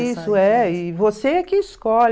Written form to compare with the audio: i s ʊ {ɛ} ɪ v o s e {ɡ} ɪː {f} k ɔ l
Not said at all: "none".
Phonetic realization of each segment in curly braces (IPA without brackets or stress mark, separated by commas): ɛ, k, s